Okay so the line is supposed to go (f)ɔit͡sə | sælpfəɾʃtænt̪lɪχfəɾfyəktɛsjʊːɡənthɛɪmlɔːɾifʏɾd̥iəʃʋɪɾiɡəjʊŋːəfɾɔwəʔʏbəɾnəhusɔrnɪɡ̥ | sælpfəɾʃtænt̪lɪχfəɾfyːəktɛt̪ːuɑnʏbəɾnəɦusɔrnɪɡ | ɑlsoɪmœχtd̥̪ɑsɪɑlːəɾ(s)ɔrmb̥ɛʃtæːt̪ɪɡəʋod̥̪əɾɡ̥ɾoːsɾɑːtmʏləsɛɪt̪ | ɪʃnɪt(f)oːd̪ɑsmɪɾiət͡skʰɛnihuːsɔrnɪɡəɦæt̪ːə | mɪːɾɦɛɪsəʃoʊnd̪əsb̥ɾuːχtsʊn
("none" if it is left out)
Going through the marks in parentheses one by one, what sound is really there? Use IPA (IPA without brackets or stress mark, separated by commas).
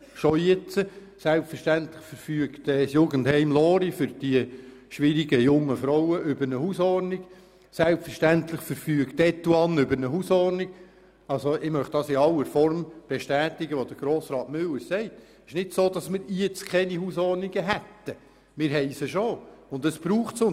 ʃ, f, s